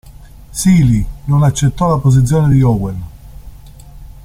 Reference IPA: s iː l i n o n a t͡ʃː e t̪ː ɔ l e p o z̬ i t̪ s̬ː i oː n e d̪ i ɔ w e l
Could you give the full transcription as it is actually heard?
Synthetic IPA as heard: s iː l i n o n a t͡ʃː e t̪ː ɔ l a p o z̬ i t̪ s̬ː j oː n e d̪ i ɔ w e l